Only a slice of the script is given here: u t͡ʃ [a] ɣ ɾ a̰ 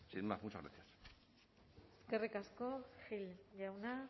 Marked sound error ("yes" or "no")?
no